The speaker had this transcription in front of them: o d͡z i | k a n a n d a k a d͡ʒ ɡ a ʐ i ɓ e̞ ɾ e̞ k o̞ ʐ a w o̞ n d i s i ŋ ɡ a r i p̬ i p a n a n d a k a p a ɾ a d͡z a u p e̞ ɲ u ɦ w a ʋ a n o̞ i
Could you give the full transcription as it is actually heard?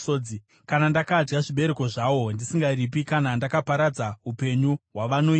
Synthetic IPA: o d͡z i | k a n a n d a k a d͡ʒ ɡ a ʐ i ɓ e̞ ɾ e̞ k o̞ ʐ a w o̞ n d i s i ŋ ɡ a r i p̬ i k a n a n d a k a p a ɾ a d͡z a u p e̞ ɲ u ɦ w a ʋ a n o̞ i